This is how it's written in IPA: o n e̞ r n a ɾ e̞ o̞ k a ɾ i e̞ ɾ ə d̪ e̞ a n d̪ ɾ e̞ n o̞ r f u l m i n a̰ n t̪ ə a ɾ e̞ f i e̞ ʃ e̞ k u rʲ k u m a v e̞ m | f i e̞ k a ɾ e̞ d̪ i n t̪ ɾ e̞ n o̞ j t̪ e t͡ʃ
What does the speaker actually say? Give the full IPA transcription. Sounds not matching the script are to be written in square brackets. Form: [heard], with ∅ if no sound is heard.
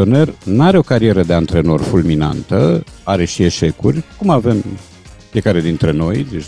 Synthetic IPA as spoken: o n e̞ r n a ɾ e̞ o̞ k a ɾ i e̞ ɾ ə d̪ e̞ a n [t̪] ɾ e̞ n o̞ r f u l m i n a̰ n t̪ ə a ɾ e̞ [ʃ] i e̞ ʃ e̞ k u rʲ k u m a v e̞ m | f i e̞ k a ɾ e̞ d̪ i n t̪ ɾ e̞ n o̞ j [d̪] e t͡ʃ